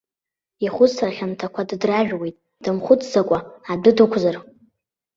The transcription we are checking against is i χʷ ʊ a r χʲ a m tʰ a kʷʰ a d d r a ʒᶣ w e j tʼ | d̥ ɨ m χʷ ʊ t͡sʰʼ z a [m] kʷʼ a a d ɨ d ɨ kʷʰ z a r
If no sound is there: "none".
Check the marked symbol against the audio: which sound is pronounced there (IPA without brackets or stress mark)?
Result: none